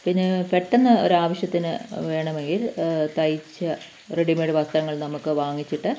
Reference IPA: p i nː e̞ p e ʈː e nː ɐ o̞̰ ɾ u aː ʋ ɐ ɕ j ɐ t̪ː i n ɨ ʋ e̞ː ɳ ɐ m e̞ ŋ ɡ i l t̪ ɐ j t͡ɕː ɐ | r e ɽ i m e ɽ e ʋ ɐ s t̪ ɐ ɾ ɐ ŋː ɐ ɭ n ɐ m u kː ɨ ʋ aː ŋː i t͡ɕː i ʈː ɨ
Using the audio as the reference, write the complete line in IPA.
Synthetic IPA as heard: p i nː e̞ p e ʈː e nː ɐ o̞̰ ɾ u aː ʋ ɐ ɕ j ɐ t̪ː i n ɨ ʋ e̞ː ɳ ɐ m e̞ ŋ ɡ i l t̪ ɐ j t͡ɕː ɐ | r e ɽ i m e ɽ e ʋ ɐ s t̪ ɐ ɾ ɐ ŋː ɐ ɭ n ɐ m u kː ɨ ʋ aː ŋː i t͡ɕː i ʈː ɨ